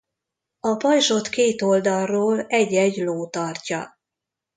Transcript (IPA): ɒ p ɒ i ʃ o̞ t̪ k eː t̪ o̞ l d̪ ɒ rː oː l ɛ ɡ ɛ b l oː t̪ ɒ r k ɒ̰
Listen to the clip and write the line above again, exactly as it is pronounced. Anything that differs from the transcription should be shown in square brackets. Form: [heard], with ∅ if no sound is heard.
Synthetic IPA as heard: ɒ p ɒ [j] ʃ o̞ t̪ k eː t̪ o̞ l d̪ ɒ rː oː l ɛ [ɟ] ɛ [ɟ] l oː t̪ ɒ r [c] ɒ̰